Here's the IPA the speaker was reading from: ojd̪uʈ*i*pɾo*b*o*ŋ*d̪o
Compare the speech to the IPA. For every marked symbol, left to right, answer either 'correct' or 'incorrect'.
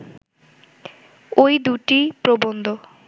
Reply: correct, correct, incorrect: n

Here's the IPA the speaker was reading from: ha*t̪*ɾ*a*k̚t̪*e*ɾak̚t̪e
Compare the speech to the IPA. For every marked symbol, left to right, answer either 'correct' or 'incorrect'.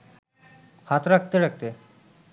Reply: correct, correct, correct

